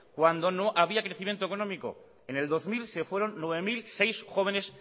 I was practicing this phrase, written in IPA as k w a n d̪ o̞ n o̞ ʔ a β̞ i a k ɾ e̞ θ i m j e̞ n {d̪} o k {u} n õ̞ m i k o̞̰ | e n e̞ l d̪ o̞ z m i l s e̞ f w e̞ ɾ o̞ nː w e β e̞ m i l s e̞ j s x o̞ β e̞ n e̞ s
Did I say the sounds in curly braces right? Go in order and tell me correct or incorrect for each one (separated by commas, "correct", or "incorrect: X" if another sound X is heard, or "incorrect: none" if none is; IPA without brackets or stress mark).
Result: incorrect: t̪, incorrect: o